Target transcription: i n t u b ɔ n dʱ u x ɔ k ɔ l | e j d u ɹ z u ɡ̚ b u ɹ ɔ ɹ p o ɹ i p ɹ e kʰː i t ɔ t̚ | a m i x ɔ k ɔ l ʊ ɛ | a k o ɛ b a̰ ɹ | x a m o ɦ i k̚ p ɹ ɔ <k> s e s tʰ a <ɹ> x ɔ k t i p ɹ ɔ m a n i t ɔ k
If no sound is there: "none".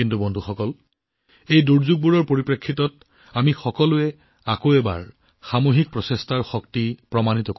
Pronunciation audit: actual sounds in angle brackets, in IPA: none, ɹ

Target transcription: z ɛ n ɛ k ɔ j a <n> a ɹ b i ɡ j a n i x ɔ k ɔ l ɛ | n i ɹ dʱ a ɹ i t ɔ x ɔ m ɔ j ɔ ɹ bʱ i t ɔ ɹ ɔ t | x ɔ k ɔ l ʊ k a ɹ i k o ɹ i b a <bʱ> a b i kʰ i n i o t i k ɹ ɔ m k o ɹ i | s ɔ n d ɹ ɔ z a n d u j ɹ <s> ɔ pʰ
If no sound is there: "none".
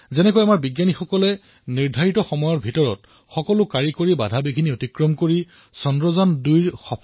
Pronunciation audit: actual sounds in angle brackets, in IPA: m, dʱ, x

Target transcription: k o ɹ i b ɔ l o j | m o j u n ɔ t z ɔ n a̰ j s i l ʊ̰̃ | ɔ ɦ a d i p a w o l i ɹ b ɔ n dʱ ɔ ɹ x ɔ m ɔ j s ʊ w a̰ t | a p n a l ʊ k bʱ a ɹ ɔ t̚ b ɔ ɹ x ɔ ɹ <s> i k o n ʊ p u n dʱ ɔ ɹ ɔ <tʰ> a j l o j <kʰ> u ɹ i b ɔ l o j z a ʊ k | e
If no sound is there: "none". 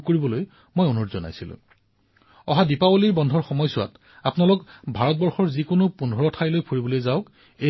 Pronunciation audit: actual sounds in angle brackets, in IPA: z, tʰ, pʰ

